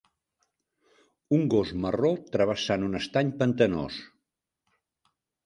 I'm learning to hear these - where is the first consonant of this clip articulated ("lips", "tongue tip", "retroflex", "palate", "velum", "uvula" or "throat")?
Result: velum